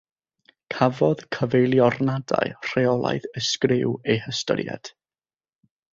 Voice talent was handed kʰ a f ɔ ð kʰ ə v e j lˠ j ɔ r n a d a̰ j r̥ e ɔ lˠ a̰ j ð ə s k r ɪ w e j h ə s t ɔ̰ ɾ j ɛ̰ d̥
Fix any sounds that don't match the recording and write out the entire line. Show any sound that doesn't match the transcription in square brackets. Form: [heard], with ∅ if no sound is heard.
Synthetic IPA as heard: kʰ a [v] ɔ ð kʰ ə v e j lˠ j ɔ r n a d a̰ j r̥ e ɔ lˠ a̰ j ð ə s k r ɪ w e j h ə s t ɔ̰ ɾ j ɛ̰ d̥